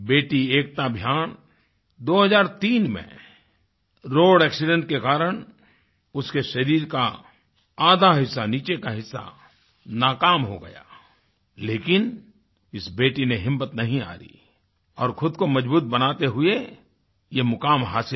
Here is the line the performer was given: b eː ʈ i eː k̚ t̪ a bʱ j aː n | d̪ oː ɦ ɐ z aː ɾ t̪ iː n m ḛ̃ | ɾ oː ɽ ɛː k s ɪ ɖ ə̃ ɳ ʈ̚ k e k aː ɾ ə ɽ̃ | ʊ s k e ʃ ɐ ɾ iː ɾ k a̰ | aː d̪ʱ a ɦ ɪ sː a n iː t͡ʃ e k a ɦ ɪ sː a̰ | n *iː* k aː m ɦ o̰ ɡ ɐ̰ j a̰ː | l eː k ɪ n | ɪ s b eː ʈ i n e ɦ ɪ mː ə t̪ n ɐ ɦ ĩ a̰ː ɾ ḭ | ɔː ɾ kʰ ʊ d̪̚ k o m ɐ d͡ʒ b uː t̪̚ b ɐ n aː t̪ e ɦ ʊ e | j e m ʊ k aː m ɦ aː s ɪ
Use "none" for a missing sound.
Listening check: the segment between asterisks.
aː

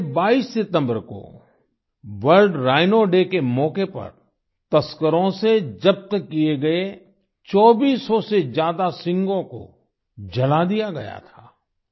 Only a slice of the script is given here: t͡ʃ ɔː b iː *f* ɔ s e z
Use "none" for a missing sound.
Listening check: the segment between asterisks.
s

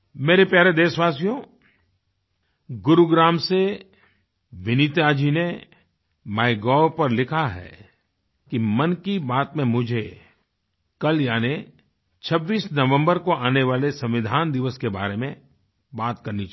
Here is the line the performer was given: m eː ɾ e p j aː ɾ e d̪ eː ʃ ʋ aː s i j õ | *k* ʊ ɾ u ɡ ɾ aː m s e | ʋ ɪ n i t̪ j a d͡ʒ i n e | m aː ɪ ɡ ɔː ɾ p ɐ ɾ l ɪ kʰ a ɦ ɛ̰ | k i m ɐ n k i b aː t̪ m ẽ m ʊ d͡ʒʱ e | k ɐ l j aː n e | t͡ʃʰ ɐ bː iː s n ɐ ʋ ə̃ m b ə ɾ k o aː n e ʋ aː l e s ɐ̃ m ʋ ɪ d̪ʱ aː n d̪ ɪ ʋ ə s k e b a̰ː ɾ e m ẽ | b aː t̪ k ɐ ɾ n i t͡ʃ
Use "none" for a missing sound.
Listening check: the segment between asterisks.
ɡ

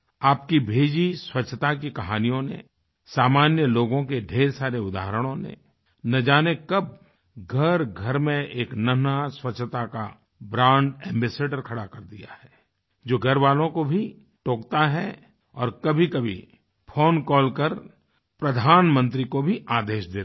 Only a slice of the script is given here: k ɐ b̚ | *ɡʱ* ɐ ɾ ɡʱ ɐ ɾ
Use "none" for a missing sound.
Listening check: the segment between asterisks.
ɡʱ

